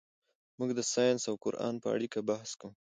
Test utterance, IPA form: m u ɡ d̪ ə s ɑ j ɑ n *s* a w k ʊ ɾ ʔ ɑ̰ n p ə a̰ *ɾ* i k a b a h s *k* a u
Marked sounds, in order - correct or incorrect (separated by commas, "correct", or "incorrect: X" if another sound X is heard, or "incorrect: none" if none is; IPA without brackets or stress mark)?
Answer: correct, incorrect: ɽ, correct